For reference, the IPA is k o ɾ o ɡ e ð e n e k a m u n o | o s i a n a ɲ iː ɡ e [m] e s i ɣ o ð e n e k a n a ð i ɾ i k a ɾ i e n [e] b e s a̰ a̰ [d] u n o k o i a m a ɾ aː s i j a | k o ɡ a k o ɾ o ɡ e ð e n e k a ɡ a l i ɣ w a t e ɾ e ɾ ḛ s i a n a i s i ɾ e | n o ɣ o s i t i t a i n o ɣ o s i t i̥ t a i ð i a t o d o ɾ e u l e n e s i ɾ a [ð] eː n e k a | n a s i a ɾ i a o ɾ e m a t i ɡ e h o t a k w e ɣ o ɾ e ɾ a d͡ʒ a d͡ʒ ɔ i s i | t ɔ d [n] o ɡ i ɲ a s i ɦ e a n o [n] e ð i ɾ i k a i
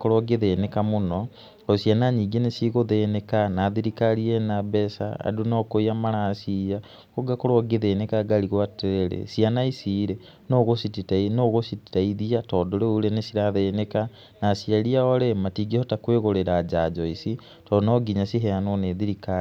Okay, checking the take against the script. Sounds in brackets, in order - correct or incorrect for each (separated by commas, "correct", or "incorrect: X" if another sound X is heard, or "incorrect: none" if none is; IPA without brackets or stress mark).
incorrect: n, incorrect: a, correct, correct, correct, correct